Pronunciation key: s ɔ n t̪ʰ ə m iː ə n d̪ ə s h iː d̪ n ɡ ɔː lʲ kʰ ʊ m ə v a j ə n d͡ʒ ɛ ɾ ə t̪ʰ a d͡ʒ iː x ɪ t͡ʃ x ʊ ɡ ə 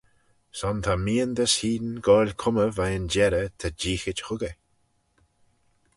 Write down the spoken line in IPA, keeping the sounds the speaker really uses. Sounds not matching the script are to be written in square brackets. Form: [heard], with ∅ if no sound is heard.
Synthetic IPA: s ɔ n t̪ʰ [a] m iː ə n d̪ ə s h iː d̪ n ɡ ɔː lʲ kʰ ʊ m ə v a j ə n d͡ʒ ɛ ɾ ə t̪ʰ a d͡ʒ iː x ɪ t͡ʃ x ʊ ɡ ə